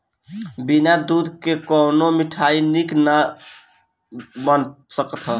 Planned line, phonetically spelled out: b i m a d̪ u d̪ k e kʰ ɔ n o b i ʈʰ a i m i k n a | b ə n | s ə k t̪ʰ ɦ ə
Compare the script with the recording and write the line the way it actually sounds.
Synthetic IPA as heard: b i n a d̪ u d̪ k e k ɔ n o m i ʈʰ a i n i k n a | b ə n | s ə k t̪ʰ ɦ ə